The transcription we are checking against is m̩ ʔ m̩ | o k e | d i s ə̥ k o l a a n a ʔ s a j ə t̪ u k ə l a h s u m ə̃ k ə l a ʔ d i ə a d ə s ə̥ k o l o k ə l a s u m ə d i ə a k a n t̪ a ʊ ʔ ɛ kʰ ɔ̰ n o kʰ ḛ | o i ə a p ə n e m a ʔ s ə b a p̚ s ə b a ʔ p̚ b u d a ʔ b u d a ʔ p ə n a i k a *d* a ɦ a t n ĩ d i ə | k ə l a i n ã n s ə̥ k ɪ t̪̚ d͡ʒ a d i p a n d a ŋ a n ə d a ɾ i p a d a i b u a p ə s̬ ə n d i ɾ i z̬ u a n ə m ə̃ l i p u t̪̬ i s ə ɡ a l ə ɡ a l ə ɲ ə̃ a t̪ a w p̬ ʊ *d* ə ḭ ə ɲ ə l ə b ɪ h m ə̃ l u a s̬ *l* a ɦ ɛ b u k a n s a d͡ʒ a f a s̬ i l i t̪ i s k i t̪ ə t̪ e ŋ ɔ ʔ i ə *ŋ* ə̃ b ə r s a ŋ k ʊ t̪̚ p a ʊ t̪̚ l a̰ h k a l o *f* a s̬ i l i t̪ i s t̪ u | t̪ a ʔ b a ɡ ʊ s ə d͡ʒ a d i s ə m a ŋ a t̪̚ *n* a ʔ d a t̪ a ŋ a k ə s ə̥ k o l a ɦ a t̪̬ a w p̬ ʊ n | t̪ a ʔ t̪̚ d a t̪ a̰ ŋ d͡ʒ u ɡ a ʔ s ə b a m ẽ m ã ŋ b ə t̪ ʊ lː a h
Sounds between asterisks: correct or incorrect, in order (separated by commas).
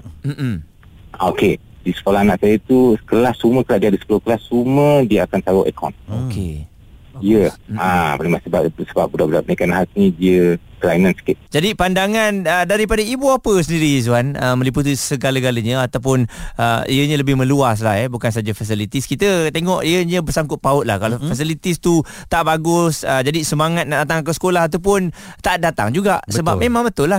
incorrect, incorrect, correct, incorrect, correct, correct